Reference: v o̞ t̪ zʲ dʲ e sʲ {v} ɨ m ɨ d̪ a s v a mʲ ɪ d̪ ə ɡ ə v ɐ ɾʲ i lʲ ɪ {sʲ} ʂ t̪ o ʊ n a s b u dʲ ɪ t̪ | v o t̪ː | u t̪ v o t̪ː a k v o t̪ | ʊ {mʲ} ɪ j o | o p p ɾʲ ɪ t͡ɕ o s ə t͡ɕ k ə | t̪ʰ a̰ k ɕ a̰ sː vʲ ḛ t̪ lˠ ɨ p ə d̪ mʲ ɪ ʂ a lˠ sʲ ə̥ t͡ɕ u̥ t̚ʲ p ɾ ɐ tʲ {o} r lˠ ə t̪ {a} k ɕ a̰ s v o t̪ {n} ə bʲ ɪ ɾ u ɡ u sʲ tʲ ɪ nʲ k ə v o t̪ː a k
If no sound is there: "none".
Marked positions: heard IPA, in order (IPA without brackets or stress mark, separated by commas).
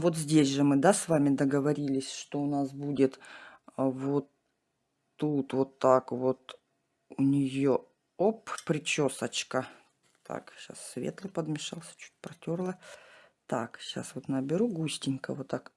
ʐ, sʲ, nʲ, o, a, n